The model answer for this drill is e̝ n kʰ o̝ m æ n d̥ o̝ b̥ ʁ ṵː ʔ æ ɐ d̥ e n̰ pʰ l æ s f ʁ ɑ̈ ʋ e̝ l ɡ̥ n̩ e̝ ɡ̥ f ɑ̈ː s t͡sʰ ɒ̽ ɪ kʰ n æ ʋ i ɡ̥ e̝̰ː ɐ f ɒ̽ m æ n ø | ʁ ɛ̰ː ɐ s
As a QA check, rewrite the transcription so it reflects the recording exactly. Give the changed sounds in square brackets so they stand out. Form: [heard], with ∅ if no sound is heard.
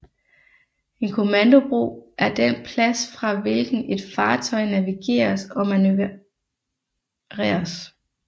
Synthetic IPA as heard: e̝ n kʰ o̝ m æ n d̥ o̝ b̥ ʁ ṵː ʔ æ ɐ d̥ e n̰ pʰ l æ s f ʁ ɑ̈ ʋ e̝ l ɡ̥ n̩ e̝ [d̥] f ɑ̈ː [∅] t͡sʰ ɒ̽ ɪ [∅] n æ ʋ i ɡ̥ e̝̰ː ɐ [s] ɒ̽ m æ n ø | ʁ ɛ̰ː ɐ s